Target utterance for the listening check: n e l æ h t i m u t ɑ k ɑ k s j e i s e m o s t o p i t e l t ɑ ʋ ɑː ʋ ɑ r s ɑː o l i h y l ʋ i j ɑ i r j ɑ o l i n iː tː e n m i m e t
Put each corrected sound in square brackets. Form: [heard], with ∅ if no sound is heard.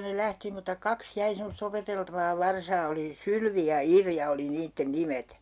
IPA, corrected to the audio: n e l æ h t i m u t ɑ k ɑ k s j [æ] i s e m o s t o p [e] t e l t ɑ ʋ ɑː ʋ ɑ r s ɑː o l i [s] y l ʋ i j ɑ i r j ɑ o l i n iː tː e n [n] i m e t